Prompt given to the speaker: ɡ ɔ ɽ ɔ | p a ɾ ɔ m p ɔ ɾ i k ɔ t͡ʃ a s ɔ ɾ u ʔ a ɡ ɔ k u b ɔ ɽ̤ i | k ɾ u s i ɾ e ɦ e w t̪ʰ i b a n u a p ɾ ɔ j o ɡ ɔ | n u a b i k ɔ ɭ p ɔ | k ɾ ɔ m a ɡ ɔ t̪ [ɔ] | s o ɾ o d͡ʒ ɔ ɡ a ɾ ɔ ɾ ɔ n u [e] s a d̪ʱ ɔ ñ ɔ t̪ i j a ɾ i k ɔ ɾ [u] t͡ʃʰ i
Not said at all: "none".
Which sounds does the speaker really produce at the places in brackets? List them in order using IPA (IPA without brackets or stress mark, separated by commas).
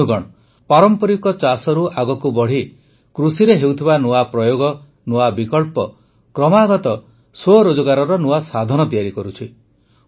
ɔ, a, u